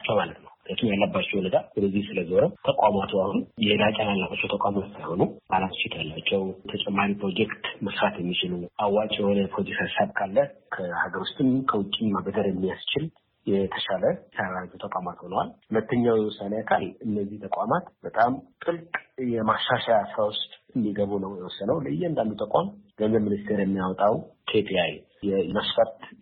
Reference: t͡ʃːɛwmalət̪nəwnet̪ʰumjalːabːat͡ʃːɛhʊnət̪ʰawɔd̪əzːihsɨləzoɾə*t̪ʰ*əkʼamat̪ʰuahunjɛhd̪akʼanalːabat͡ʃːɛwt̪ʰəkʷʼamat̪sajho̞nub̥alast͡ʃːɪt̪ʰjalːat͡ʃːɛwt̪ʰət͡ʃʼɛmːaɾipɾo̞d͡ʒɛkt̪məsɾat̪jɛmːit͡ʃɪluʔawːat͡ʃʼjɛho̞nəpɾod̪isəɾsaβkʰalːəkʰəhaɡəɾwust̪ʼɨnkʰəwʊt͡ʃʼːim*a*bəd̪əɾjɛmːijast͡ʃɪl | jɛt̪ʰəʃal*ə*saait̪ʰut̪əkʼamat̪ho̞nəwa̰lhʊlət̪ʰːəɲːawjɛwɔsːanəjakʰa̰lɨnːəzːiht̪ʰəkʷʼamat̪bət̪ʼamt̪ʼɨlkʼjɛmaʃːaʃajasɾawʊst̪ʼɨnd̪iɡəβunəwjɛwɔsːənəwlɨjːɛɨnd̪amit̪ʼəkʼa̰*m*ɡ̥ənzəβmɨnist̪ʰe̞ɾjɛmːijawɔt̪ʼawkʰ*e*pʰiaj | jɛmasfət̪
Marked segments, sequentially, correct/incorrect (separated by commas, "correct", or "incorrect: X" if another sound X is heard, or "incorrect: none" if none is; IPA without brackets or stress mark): correct, correct, correct, correct, correct